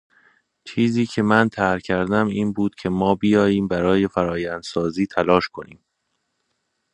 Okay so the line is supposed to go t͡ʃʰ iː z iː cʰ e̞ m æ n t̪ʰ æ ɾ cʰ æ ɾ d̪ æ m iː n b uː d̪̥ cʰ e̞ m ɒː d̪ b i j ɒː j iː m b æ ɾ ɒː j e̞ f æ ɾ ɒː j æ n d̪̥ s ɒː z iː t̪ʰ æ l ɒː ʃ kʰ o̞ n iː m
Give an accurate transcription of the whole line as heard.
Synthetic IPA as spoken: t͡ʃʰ iː z iː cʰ e̞ m æ n t̪ʰ æ ɾ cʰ æ ɾ d̪ æ m iː n b uː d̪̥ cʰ e̞ m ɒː b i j ɒː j iː m b æ ɾ ɒː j e̞ f æ ɾ ɒː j æ n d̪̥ s ɒː z iː t̪ʰ æ l ɒː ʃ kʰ o̞ n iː m